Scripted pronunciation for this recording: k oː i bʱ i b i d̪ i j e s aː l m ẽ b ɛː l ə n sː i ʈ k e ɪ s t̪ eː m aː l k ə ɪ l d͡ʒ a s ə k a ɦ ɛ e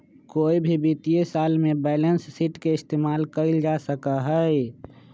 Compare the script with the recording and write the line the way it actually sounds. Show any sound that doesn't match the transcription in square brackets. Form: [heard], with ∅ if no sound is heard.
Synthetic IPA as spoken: k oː i bʱ i b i [t̪] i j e s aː l m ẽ b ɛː l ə n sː i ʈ k e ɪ s t̪ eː m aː l k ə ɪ l d͡ʒ a s ə k a ɦ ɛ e

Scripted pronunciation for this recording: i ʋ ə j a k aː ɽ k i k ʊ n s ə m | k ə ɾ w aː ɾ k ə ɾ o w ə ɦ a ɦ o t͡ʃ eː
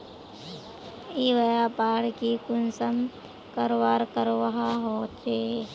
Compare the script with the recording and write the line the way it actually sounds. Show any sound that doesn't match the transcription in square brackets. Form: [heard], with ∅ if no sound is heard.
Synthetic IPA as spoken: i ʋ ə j a [p] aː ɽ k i k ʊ n s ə m | k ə ɾ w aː ɾ k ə ɾ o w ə ɦ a ɦ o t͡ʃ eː

